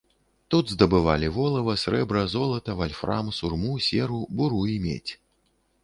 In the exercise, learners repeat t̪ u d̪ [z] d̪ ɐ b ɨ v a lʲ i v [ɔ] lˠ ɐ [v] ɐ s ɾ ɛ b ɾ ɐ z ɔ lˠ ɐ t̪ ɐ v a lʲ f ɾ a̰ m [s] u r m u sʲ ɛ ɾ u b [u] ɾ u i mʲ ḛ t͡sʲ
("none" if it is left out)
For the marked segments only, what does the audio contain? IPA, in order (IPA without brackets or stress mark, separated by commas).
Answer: z, ɔ, v, s, u